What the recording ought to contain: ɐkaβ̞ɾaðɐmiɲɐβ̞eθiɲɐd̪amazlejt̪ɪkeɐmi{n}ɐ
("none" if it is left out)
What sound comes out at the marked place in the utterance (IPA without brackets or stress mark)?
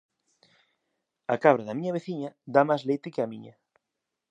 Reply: ɲ